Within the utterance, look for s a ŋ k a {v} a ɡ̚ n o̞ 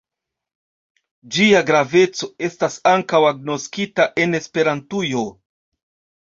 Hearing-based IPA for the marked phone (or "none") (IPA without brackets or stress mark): w